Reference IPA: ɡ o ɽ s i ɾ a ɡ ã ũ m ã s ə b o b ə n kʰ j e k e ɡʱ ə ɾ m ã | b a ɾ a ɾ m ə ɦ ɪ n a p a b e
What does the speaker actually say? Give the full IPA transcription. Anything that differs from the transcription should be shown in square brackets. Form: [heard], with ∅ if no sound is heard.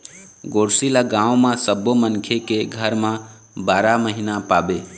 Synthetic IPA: ɡ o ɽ s i [l] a ɡ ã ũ m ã s ə b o [m] ə n kʰ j e k e ɡʱ ə ɾ m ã | b a ɾ a [∅] m ə ɦ [i] n a p a b e